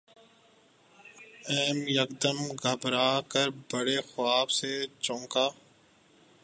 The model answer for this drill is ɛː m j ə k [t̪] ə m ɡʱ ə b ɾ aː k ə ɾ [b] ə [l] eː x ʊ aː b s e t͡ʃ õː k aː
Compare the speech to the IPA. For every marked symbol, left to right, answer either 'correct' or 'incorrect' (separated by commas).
incorrect, correct, incorrect